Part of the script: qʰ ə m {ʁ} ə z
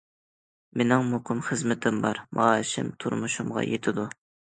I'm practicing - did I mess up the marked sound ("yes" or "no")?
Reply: yes